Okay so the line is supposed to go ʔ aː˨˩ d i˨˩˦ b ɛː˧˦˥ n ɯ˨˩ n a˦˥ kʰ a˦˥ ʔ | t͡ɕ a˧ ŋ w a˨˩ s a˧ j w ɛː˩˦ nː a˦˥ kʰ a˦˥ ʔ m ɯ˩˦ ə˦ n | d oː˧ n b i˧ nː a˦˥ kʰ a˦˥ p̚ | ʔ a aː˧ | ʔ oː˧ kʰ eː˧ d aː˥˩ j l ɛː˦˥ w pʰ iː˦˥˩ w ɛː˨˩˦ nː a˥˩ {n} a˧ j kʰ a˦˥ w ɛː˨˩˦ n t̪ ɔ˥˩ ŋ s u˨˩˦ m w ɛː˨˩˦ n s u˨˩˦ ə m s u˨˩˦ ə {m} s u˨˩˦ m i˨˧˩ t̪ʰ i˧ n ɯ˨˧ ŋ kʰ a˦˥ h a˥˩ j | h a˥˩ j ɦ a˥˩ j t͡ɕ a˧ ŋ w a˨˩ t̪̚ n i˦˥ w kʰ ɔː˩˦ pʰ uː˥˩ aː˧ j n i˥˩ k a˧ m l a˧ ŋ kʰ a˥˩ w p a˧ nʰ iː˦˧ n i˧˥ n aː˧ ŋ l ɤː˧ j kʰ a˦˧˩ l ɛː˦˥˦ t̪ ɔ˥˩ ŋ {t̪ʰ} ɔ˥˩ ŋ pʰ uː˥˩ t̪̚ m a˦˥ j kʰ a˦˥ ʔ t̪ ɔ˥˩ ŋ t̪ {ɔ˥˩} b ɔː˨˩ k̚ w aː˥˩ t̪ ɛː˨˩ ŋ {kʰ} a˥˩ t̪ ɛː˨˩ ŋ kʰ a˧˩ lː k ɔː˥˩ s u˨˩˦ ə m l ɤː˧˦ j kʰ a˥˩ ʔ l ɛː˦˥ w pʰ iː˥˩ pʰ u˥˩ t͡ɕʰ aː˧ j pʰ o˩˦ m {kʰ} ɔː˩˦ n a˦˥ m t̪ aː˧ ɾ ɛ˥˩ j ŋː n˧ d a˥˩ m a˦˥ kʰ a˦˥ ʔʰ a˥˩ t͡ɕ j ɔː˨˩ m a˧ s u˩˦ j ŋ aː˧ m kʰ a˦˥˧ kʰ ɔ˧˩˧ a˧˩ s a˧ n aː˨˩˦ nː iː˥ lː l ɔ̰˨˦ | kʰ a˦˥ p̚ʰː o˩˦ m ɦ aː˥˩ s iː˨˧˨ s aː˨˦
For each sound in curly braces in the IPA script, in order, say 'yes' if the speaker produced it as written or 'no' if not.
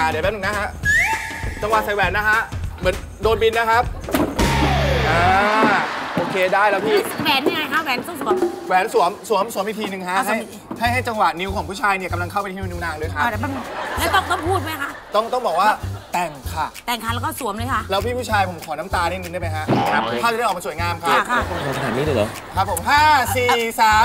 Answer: no, yes, no, yes, yes, yes

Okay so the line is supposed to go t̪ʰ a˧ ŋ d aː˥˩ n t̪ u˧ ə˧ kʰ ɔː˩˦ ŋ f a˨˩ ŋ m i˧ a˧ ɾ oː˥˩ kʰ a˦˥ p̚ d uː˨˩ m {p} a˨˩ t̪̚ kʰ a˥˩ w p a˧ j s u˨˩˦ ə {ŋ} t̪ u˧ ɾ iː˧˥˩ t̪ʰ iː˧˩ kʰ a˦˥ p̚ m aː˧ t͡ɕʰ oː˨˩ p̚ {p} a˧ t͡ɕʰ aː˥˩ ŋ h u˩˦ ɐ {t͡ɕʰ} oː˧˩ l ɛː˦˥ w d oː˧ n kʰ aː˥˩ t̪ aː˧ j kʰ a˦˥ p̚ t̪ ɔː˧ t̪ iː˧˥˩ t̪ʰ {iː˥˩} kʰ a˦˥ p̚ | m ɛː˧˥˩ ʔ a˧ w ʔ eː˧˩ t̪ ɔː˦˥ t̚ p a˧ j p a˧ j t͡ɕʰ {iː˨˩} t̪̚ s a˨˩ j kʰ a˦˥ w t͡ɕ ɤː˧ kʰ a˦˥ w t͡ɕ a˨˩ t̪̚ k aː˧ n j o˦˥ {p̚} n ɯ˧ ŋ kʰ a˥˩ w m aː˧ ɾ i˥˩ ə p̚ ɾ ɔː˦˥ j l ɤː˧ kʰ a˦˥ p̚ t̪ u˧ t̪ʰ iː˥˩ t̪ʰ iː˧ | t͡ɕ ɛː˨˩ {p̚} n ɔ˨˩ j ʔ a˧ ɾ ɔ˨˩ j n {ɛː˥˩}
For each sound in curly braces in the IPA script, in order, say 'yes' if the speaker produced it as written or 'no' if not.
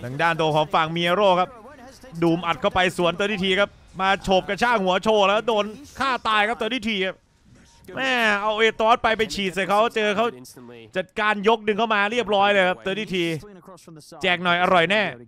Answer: no, no, no, yes, no, yes, no, no, yes

